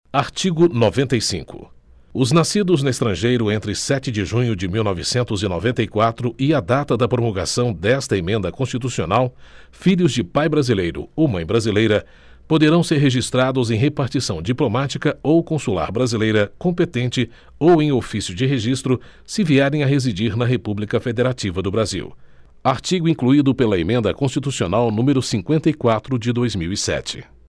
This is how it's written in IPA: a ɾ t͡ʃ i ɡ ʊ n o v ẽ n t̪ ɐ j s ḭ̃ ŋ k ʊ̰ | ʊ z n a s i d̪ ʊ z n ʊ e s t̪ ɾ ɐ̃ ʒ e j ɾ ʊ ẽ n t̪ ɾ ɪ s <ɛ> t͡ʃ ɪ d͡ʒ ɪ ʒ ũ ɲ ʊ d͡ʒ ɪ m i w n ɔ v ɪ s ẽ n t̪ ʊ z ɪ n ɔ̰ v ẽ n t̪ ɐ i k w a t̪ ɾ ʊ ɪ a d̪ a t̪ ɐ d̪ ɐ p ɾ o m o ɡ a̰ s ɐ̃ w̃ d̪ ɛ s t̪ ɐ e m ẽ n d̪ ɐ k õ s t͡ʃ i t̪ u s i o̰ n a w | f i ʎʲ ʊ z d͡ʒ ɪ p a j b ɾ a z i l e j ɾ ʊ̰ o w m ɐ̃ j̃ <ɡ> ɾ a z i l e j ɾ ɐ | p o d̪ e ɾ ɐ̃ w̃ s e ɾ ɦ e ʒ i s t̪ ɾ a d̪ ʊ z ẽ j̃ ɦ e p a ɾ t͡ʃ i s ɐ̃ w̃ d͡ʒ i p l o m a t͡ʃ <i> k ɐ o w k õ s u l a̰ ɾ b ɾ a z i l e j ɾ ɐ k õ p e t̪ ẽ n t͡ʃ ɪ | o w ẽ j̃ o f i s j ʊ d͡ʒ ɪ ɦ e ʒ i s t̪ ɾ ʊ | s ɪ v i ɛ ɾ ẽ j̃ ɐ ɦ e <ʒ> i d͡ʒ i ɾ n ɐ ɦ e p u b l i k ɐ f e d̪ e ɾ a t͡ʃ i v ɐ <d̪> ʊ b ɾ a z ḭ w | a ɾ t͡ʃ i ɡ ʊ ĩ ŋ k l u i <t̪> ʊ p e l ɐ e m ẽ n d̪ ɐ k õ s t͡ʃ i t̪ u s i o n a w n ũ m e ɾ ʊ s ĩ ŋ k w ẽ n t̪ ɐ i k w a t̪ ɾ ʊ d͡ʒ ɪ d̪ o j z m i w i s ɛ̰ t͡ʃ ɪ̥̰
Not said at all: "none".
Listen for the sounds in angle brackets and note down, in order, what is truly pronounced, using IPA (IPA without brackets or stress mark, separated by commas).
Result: ɛ, b, i, z, d̪, d̪